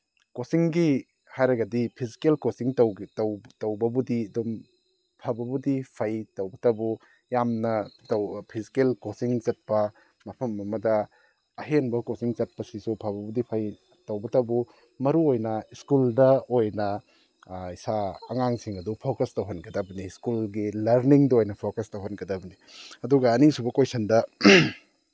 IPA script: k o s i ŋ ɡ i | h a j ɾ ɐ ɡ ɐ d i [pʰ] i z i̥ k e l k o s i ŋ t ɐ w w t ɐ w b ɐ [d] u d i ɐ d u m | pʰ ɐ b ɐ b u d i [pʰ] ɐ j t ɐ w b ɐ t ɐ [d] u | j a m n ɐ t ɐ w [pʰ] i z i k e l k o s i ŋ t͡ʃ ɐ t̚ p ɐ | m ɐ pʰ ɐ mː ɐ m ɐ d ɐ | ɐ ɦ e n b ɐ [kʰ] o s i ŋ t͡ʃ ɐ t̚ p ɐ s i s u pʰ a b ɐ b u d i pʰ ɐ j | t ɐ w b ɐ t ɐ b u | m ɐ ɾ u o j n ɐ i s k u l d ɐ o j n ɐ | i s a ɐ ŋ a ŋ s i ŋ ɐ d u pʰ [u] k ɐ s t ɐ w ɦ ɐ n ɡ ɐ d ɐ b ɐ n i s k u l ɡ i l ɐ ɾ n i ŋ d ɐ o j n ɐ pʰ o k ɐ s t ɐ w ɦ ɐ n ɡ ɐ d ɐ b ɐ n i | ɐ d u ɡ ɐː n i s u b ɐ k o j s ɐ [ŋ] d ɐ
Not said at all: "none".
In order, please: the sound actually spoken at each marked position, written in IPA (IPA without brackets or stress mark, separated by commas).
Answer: pʰ, b, pʰ, b, pʰ, k, o, n